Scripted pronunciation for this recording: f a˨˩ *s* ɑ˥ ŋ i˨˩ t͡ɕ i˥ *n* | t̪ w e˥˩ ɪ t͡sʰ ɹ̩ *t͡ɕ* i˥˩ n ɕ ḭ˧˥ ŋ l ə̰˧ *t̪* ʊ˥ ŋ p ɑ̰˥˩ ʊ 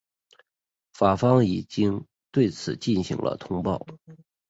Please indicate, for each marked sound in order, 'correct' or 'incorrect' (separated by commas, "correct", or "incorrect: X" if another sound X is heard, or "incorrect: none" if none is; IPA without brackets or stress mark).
incorrect: f, incorrect: ŋ, correct, incorrect: t̪ʰ